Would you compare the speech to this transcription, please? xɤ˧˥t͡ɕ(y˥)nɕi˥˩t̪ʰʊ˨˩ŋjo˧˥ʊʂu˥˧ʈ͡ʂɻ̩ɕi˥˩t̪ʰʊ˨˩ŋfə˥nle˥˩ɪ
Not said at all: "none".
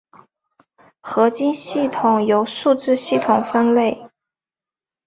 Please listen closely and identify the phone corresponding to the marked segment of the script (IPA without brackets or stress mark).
i˥